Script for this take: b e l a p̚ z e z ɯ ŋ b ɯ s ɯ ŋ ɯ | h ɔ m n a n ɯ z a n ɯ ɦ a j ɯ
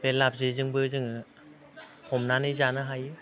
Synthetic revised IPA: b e l a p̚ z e z ɯ ŋ b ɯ z ɯ ŋ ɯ | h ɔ m n a n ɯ z a n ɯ ɦ a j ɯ